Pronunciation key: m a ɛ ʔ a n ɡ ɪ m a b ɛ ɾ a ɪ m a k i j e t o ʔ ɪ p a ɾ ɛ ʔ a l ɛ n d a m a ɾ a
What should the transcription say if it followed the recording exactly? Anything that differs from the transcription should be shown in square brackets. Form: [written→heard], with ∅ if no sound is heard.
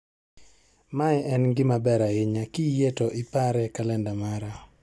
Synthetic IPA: m a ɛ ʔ [a→ɛ] n ɡ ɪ m a b ɛ ɾ a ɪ [m→ɲ] a k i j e t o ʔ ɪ p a ɾ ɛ [ʔ→k] a l ɛ n d a m a ɾ a

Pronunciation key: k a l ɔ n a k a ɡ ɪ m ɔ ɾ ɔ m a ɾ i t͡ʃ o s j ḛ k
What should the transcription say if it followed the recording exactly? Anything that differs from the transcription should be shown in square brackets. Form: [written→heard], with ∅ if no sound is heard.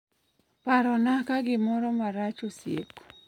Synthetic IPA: [k→p] a [l→ɾ] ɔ n a k a ɡ ɪ m ɔ ɾ ɔ m a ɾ [i→a] t͡ʃ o s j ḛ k

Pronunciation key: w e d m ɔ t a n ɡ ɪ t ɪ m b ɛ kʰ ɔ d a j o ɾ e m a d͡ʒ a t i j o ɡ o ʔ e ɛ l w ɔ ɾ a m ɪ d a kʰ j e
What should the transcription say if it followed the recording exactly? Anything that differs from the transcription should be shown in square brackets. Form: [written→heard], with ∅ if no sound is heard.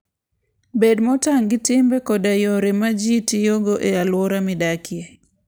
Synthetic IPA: [w→b] e d m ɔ t a [n→ŋ] ɡ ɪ t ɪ m b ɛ [kʰ→k] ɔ d a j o ɾ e m a d͡ʒ [a→i] t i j o ɡ o ʔ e [ɛ→a] l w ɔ ɾ a m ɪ d a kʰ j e

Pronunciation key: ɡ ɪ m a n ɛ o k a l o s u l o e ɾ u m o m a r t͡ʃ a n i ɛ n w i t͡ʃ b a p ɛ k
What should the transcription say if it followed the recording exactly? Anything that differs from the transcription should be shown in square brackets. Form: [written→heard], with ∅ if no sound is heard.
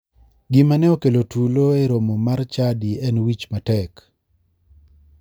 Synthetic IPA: ɡ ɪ m a n ɛ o k [a→e] l o [s→t] u l o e ɾ [u→o] m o m a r t͡ʃ a [n→d] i ɛ n w i t͡ʃ [b→m] a [p→t] ɛ k

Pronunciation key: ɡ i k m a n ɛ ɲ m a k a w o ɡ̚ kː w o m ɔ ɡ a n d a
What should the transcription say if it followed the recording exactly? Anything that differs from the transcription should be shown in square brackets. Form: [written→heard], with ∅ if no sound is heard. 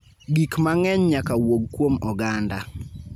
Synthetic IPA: ɡ i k m a [n→ŋ] ɛ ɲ [m→ɲ] a k a w o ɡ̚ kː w o m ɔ ɡ a n d a

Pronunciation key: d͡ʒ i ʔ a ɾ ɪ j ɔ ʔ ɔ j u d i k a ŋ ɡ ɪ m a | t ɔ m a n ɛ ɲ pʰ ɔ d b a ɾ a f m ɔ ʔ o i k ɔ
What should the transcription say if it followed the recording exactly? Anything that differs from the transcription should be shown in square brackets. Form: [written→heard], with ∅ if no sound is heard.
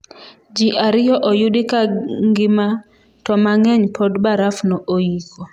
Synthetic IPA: d͡ʒ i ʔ a ɾ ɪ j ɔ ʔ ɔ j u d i k a ŋ ɡ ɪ m a | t ɔ m a [n→ŋ] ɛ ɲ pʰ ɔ d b a ɾ a f [m→n] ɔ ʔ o i k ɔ

